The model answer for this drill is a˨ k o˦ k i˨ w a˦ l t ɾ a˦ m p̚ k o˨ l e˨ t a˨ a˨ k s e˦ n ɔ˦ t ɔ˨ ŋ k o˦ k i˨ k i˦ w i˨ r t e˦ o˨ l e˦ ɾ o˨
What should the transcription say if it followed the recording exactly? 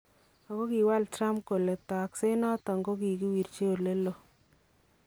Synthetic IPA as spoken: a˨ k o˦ k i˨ w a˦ l t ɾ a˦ m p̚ k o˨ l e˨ t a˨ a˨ k s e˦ n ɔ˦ t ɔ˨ ŋ ɡ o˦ k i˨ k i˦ w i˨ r t͡ʃ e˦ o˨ l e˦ l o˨